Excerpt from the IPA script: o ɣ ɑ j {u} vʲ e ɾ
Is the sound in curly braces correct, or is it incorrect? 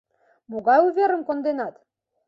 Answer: correct